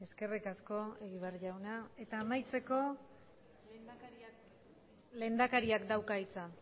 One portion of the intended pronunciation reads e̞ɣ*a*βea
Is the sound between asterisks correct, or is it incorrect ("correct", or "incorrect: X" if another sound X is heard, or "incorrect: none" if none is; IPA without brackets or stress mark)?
incorrect: i